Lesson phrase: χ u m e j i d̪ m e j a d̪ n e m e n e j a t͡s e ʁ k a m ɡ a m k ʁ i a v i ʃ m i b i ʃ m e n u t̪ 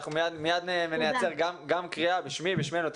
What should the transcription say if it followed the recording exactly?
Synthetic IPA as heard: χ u m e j a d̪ m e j a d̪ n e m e n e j a t͡s e ʁ ɡ a m ɡ a m k ʁ i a b i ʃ m i b i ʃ m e n u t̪